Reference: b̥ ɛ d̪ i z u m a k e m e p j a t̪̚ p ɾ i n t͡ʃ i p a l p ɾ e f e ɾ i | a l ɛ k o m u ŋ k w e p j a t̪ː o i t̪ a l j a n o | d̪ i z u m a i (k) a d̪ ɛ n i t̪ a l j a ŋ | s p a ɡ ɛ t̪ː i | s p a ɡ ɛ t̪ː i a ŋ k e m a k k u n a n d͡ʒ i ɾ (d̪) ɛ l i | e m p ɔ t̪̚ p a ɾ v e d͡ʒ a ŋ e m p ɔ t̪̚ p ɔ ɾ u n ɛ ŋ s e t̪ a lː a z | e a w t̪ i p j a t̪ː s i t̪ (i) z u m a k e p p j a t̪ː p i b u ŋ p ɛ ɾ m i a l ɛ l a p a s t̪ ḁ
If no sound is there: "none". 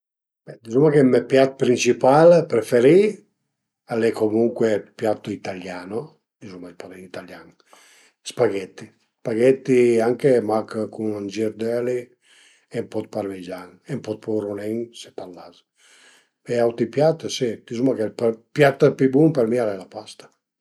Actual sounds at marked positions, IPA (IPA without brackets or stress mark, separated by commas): p, d̪, i